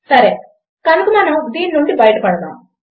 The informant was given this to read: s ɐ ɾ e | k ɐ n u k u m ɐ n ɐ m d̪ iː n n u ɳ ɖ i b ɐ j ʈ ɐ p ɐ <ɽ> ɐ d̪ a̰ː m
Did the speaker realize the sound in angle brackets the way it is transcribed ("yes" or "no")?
yes